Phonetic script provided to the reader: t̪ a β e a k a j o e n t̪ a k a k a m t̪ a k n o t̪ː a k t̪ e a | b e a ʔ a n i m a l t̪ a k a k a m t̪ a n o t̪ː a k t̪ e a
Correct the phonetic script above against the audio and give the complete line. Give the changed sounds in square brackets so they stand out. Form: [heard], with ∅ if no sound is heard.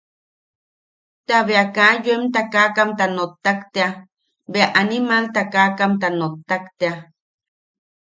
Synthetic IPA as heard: t̪ a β e a k a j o e [m] t̪ a k a k a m t̪ a [∅] n o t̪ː a k t̪ e a | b e a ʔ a n i m a l t̪ a k a k a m t̪ a n o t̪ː a k t̪ e a